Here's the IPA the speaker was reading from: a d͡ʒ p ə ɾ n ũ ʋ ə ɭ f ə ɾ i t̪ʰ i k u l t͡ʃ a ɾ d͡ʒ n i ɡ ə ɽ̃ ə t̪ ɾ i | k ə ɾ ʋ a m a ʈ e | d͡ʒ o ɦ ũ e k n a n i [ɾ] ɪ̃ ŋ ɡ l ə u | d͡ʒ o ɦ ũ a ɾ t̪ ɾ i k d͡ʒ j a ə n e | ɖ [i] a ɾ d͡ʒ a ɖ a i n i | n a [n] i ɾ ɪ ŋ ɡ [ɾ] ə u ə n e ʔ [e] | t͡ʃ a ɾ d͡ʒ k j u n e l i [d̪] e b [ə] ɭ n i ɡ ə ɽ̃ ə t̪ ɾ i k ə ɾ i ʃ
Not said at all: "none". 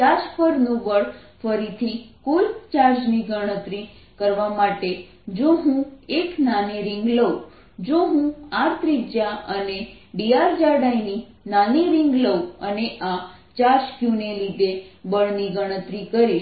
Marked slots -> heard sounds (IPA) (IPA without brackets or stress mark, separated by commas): ɾ, i, n, l, a, d̪, ə